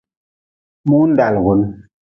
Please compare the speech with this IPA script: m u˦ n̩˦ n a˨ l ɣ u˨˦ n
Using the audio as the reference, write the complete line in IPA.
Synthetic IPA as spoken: m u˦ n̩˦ d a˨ l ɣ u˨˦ n